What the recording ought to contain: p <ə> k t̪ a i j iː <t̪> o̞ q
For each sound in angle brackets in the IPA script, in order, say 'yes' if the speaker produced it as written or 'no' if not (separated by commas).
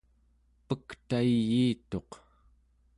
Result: yes, yes